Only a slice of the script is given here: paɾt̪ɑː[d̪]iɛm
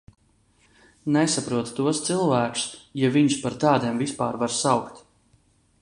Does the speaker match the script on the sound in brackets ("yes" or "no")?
yes